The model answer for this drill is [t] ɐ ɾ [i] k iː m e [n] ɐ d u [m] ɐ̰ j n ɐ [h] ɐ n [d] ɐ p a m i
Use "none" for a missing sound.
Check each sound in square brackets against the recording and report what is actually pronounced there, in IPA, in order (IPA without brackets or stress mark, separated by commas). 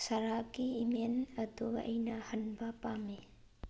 s, a, n, none, h, b